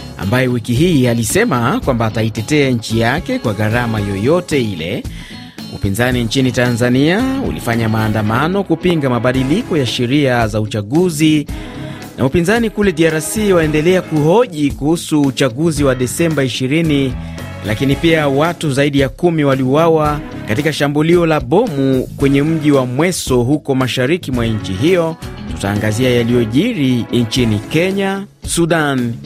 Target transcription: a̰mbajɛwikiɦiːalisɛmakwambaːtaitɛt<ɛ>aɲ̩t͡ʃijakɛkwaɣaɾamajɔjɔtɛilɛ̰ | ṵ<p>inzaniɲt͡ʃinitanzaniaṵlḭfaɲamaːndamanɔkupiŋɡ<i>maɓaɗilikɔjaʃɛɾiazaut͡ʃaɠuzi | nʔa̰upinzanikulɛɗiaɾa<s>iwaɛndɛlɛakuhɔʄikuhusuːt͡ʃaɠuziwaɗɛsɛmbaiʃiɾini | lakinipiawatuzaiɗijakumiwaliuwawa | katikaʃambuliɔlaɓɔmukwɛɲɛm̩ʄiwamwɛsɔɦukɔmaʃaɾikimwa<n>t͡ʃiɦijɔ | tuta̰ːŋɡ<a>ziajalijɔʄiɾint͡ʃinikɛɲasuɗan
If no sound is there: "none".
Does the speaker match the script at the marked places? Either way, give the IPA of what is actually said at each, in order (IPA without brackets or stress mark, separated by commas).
ɛ, p, a, s, ɲ, a